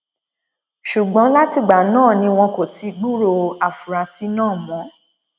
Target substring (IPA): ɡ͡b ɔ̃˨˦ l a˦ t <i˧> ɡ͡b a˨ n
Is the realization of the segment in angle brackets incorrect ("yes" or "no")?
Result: no